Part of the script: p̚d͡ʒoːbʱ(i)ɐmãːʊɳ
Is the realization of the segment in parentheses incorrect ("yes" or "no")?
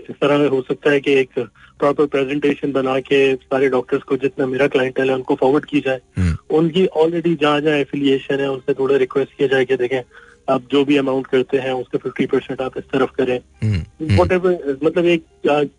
no